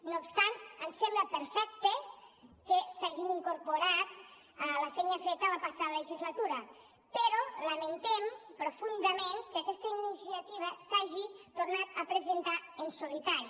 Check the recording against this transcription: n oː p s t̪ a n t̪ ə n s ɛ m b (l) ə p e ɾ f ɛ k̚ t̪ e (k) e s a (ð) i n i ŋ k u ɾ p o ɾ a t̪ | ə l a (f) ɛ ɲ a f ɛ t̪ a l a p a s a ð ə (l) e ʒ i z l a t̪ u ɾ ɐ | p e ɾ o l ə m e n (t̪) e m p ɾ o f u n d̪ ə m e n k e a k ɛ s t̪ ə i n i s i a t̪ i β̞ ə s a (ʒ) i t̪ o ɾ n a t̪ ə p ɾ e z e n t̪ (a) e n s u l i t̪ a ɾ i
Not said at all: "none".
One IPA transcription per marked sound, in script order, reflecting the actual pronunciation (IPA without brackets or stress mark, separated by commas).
l, k, ʒ, f, l, t̪, ʒ, a